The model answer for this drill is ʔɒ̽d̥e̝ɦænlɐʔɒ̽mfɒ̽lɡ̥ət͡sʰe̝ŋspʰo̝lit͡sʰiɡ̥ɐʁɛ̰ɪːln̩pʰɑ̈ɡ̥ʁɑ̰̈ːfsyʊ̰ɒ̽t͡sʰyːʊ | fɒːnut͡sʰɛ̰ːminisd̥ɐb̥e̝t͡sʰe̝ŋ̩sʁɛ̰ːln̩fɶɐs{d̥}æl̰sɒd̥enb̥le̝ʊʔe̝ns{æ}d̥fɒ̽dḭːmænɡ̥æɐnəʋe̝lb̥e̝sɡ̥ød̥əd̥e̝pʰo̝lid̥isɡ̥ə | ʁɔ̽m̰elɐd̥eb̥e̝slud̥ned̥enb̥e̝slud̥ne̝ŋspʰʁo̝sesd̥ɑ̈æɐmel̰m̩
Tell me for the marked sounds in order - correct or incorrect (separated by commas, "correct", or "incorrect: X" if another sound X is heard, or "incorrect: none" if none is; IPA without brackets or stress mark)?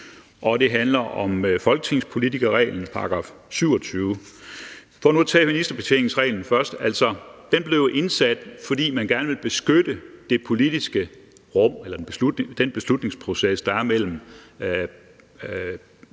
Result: correct, correct